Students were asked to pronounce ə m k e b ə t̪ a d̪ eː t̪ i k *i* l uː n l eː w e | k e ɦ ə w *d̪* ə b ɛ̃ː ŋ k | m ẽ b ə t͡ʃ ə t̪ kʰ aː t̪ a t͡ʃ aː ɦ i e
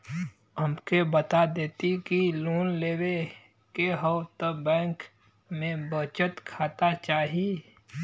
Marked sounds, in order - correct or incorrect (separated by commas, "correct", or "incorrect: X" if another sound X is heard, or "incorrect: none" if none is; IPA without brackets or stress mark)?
correct, incorrect: t̪